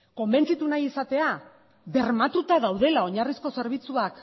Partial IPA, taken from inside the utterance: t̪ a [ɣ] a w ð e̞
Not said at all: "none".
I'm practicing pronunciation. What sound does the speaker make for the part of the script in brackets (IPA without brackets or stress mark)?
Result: ð